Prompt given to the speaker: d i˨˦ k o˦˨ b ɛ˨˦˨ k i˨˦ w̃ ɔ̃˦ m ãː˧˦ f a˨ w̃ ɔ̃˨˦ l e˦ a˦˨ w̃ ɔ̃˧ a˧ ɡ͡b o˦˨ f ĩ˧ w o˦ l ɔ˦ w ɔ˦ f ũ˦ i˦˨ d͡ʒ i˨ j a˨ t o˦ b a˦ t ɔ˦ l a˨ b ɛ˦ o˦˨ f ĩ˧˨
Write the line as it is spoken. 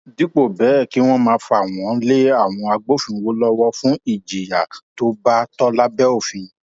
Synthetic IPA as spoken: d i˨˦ k͡p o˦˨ b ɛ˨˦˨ k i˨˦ w̃ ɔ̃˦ m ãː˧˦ f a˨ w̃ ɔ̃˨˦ l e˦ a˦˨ w̃ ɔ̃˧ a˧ ɡ͡b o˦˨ f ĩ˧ w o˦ l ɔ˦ w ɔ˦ f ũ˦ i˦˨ d͡ʒ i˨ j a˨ t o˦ b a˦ t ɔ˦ l a˦ b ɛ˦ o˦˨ f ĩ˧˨